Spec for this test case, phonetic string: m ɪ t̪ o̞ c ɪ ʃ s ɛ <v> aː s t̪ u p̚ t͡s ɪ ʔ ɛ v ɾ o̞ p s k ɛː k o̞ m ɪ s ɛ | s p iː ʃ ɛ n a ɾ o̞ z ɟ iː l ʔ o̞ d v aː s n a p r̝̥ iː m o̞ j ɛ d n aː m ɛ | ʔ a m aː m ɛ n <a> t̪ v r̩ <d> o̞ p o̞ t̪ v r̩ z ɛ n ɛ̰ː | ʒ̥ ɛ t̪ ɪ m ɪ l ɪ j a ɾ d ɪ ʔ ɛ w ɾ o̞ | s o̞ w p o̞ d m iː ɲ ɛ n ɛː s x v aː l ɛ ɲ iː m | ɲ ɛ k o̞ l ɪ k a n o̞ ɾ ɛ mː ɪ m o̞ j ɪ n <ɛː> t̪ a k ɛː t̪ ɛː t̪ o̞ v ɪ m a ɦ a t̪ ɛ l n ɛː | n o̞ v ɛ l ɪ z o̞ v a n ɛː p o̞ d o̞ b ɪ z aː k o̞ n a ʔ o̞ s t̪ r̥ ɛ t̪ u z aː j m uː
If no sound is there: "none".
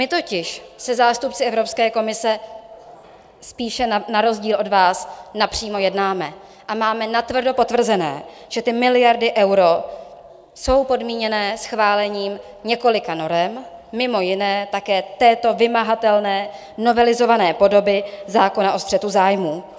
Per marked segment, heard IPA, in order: z, a, d, ɛː

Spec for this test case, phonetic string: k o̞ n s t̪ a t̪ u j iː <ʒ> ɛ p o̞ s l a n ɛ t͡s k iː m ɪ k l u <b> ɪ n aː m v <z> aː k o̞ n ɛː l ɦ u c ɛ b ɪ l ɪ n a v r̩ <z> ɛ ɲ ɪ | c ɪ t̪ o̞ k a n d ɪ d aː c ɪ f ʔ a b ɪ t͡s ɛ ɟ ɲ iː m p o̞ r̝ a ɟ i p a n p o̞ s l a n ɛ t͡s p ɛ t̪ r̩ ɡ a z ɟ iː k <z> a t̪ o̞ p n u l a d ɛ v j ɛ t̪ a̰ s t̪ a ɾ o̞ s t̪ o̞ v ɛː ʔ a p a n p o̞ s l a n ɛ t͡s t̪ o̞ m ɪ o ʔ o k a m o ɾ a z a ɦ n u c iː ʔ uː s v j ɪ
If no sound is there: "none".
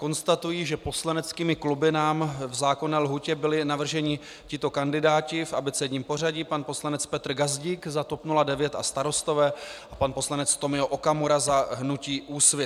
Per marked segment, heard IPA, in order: ʒ, b, z, ʒ, z

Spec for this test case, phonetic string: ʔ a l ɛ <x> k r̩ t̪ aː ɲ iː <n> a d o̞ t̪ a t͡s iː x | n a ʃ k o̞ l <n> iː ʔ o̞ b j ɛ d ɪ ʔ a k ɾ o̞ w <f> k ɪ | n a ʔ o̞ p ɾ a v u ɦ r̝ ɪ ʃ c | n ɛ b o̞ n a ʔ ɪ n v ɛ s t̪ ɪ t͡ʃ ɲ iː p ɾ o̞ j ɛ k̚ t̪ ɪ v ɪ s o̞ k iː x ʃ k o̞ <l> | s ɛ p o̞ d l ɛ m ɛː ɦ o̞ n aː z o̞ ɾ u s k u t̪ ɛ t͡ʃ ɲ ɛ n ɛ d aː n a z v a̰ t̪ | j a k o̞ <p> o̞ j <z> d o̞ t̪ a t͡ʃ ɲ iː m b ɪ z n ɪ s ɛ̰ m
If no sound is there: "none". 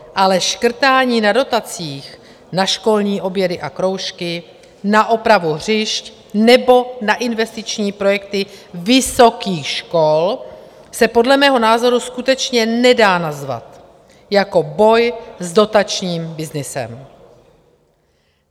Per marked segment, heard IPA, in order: ʃ, n, ɲ, ʃ, l, b, z

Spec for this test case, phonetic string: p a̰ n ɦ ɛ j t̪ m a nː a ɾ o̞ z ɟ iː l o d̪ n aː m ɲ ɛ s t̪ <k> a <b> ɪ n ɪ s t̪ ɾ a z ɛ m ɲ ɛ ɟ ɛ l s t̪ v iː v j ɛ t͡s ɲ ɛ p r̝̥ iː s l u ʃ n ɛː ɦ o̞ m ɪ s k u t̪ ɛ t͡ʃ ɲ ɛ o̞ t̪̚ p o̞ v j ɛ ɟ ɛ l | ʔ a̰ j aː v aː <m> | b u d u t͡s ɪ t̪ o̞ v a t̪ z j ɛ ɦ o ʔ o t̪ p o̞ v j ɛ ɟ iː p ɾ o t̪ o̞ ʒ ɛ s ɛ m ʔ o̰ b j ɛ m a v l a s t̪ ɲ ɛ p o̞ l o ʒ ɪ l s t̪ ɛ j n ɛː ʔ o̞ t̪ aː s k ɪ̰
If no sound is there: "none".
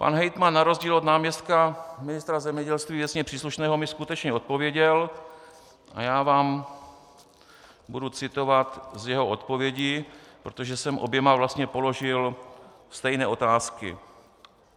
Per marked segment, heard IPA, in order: k, m, m

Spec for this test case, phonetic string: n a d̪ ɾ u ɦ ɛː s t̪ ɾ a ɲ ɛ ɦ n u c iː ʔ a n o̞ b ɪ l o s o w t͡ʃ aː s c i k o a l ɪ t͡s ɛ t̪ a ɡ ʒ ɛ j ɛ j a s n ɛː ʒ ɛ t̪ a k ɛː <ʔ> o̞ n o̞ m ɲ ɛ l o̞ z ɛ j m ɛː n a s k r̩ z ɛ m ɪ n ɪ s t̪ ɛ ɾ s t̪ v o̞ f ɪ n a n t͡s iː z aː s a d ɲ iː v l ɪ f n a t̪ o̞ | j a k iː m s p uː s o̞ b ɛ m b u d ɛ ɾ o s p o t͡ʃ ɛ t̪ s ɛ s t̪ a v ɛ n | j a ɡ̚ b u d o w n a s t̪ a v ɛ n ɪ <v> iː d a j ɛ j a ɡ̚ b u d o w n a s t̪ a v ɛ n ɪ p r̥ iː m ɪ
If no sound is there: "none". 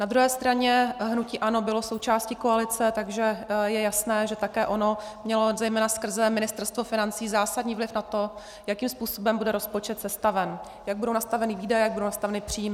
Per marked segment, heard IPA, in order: ʔ, v

